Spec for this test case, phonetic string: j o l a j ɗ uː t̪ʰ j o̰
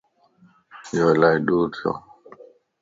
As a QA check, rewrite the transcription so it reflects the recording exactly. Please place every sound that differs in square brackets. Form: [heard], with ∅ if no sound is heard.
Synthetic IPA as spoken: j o l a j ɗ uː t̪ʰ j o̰